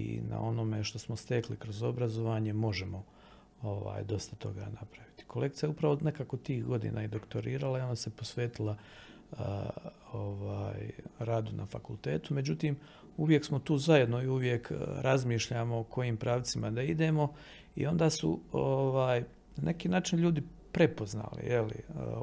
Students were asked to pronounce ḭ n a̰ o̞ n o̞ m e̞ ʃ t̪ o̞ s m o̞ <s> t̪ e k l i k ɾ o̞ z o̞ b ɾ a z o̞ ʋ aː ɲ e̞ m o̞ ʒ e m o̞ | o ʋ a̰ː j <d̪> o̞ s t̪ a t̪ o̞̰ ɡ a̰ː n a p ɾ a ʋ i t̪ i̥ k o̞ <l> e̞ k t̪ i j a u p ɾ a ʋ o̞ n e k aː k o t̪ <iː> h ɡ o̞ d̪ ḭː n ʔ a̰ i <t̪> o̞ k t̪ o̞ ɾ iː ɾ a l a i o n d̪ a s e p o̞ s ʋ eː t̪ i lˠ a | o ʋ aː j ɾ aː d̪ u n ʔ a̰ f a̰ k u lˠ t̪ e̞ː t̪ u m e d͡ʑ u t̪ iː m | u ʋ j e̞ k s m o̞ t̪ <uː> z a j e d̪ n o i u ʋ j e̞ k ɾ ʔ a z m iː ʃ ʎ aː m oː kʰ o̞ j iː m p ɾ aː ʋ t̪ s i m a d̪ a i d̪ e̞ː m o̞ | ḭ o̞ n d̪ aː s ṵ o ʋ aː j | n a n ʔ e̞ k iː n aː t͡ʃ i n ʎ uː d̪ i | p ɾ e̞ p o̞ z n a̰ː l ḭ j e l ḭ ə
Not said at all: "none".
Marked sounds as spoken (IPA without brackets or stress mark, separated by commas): s, d̪, l, iː, d̪, uː